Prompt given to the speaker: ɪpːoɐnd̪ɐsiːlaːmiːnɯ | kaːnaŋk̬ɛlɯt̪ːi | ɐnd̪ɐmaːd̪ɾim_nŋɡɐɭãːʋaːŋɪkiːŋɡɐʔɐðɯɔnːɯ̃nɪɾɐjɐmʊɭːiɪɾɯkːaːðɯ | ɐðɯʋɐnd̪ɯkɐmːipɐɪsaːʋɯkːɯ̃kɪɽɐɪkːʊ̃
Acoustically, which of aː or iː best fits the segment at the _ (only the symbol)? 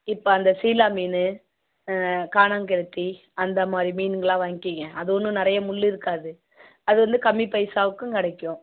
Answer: iː